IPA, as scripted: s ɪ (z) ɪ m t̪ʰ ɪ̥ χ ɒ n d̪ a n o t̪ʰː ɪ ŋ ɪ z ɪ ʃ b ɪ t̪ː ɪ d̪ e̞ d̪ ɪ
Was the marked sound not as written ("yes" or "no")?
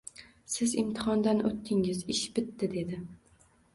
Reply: no